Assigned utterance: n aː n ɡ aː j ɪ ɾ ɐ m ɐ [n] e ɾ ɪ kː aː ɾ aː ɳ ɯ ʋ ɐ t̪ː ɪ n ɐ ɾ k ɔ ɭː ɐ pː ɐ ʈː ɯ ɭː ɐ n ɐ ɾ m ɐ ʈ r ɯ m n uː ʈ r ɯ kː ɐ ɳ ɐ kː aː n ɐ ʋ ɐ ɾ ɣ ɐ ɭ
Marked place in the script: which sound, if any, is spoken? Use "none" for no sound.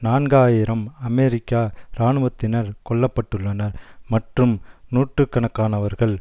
m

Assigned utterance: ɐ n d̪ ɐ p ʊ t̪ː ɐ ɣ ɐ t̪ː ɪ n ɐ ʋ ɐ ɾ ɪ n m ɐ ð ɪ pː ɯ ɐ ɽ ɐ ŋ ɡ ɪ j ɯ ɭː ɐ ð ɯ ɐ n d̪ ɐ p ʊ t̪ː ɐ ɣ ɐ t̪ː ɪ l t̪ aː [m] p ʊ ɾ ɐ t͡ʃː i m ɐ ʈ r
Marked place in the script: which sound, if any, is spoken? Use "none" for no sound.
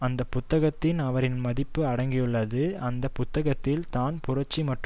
n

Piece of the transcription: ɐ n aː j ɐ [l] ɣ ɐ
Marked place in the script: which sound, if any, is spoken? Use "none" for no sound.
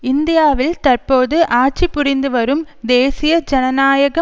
none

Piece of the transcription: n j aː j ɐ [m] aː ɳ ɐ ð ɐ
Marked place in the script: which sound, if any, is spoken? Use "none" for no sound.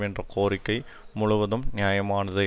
m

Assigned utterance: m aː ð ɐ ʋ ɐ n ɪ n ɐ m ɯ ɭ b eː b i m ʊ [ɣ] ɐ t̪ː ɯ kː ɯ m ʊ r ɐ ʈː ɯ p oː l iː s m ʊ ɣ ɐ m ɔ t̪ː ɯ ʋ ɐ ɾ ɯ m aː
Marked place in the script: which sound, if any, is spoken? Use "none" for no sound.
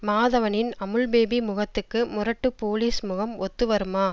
ɣ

